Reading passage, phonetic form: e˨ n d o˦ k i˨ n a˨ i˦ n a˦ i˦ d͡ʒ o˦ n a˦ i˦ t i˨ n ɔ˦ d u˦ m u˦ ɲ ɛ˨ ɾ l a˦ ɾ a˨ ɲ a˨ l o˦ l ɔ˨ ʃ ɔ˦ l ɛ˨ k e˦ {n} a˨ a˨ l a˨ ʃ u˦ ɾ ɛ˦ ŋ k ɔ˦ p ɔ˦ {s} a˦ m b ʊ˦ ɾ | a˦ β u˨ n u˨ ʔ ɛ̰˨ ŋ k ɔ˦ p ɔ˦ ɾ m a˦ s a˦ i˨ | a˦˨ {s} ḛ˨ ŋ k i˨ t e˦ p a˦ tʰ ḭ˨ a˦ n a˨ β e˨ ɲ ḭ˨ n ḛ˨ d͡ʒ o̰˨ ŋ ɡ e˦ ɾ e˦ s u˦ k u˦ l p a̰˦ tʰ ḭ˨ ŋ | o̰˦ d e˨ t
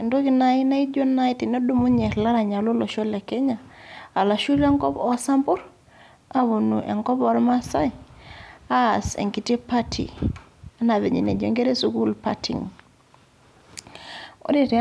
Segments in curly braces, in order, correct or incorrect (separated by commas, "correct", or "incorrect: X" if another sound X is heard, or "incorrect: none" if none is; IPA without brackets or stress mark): incorrect: ɲ, correct, correct